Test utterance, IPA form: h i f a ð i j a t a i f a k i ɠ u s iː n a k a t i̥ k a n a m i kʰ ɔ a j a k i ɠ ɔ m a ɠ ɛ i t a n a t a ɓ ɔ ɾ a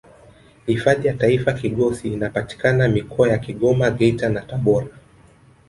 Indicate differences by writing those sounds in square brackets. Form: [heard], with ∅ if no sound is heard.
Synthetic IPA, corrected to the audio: h i f a ð i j a t a i f a k i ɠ [ɔ] s iː n a [p] a t i̥ k a n a m i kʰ ɔ a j a k i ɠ ɔ m a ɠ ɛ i t a n a t a ɓ ɔ ɾ a